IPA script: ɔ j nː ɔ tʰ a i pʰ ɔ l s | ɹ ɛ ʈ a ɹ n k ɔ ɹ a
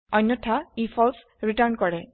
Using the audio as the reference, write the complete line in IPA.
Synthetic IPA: ɔ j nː ɔ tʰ a i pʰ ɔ l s | ɹ i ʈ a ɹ n k ɔ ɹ ɛ